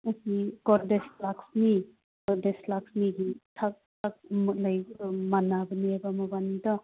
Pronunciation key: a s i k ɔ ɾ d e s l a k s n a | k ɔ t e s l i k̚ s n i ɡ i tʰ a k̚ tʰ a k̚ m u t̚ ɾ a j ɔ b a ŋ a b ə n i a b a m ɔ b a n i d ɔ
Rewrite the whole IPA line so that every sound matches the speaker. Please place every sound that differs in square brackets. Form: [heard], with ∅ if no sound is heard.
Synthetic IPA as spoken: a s i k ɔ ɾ d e s l a k s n [i] | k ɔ [d] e s l [a] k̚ s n i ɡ i tʰ a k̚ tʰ a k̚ m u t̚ [l] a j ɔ [m] a [n] a b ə n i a b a m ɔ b a n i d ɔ